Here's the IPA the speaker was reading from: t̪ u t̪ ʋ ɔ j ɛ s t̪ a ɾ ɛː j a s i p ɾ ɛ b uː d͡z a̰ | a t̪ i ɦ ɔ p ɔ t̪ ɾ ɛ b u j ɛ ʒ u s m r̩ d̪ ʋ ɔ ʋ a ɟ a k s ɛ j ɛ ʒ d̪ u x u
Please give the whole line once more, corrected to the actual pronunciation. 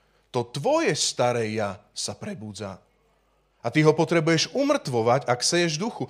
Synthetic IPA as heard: t̪ ɔ t̪ ʋ ɔ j ɛ s t̪ a ɾ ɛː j a s a p ɾ ɛ b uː d͡z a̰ | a t̪ i ɦ ɔ p ɔ t̪ ɾ ɛ b u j ɛ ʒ u m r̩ t̪ ʋ ɔ ʋ a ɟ a k s ɛ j ɛ ʒ d̪ u x u